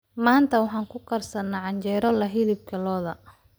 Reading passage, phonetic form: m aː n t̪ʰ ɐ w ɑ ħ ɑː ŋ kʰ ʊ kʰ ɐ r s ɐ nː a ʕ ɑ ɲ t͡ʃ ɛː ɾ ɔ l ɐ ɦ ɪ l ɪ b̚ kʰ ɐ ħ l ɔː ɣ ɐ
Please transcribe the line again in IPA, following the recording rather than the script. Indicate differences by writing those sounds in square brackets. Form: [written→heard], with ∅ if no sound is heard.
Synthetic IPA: m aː n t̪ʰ ɐ w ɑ ħ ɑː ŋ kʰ ʊ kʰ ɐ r s ɐ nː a ʕ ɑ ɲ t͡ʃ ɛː ɾ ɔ l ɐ ɦ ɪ l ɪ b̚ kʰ ɐ [ħ→∅] l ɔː [ɣ→ð] ɐ